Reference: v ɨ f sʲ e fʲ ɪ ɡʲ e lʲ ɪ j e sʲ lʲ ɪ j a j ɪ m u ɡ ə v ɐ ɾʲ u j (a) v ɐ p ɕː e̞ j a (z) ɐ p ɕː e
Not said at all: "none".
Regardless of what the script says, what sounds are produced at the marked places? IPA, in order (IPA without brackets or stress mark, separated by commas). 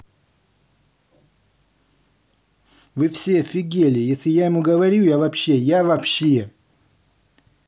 a, v